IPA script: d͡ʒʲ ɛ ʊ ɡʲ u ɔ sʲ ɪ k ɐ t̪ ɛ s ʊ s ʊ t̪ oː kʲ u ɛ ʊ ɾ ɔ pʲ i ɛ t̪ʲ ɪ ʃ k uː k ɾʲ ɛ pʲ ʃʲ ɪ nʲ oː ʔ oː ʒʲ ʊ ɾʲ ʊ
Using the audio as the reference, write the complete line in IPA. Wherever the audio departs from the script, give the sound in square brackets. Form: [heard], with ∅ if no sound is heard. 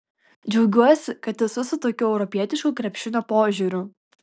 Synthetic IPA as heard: d͡ʒʲ ɛ ʊ ɡʲ u ɔ sʲ ɪ k ɐ t̪ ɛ s ʊ s ʊ t̪ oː kʲ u ɛ ʊ ɾ ɔ pʲ i ɛ t̪ʲ ɪ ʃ k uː k ɾʲ ɛ pʲ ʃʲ ɪ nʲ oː [p] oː ʒʲ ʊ ɾʲ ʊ